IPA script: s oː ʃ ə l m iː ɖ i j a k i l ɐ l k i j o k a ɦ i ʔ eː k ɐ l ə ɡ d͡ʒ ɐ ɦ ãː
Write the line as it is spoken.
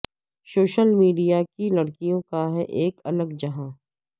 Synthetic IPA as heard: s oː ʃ ə l m iː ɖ i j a k i l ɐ ɽ k i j õ k a ɦ ɛ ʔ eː k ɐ l ə ɡ d͡ʒ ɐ ɦ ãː

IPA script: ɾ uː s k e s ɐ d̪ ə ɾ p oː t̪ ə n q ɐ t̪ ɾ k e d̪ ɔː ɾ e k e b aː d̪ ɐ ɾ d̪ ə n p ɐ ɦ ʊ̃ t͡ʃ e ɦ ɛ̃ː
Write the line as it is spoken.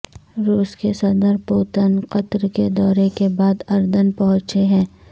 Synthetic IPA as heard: ɾ uː s k e s ɐ d̪ ə ɾ p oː t̪ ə n q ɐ t̪ ɾ k e d̪ ɔː ɾ e k e b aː d̪ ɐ ɾ d̪ ə n p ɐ ɦ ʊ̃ t͡ʃ e ɦ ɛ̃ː

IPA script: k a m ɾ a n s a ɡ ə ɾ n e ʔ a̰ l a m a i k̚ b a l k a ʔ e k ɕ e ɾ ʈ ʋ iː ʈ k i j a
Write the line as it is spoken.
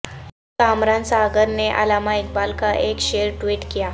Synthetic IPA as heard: k a m ɾ a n s a ɡ ə ɾ n e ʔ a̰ l a m a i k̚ b a l k a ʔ e k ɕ e ɾ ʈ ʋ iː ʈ k i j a

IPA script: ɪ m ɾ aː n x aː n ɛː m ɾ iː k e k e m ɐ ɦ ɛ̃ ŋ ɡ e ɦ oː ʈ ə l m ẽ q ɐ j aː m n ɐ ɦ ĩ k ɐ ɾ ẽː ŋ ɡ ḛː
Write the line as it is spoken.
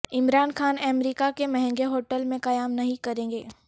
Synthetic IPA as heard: ɪ m ɾ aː n x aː n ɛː m ɾ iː k a k e m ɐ ɦ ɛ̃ ŋ ɡ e ɦ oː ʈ ə l m ẽ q ɐ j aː m n ɐ ɦ ĩ k ɐ ɾ ẽː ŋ ɡ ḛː

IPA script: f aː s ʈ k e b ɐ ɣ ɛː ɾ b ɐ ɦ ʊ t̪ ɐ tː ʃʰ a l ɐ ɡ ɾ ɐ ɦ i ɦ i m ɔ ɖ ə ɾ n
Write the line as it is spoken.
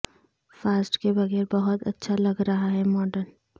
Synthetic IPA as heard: f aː s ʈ k e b ɐ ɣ ɛː ɾ b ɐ ɦ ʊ t̪ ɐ tː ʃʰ a l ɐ ɡ ɾ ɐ ɦ a ɦ ɛ m ɔː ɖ ə ɾ n

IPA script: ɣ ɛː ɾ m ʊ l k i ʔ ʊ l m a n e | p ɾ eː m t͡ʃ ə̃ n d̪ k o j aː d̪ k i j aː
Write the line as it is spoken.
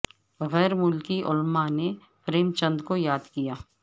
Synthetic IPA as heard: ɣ ɛː ɾ m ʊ l k i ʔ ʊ l m a n e | p ɾ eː m t͡ʃ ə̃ n d̪ k o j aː d̪ k i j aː

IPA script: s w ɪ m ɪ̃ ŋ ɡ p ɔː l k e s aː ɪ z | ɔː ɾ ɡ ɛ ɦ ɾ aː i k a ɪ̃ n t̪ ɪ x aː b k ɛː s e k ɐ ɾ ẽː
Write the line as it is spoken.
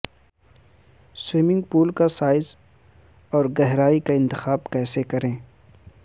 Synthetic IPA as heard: s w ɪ m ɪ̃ ŋ ɡ p uː l k a s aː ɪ z | ɔː ɾ ɡ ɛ ɦ ɾ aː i k a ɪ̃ n t̪ ɪ x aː b k ɛː s e k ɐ ɾ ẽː

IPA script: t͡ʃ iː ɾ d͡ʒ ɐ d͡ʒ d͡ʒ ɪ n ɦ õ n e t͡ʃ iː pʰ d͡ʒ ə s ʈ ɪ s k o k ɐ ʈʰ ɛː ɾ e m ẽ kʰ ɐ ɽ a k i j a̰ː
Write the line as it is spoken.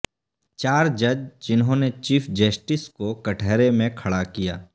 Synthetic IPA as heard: t͡ʃ aː ɾ d͡ʒ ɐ d͡ʒ d͡ʒ ɪ n ɦ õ n e t͡ʃ iː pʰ d͡ʒ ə s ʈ ɪ s k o k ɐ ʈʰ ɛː ɾ e m ẽ kʰ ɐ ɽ a k i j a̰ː

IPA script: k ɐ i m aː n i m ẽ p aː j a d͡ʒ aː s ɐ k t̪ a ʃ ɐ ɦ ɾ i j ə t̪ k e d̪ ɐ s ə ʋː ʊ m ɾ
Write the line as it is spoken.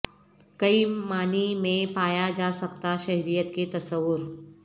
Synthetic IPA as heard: k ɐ i m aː n i m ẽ p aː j a d͡ʒ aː s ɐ k t̪ a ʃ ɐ ɦ ɾ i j ə t̪ k e t̪ ɐ s ə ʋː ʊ ɾ

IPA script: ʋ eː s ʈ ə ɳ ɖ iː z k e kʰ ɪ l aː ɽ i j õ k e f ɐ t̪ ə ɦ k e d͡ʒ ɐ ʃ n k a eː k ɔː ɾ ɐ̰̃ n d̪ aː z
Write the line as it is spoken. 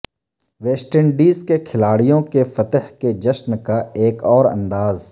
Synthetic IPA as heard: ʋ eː s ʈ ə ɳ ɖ iː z k e kʰ ɪ l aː ɽ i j õ k e f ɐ t̪ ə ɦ k e d͡ʒ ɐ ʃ n k a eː k ɔː ɾ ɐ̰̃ n d̪ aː z

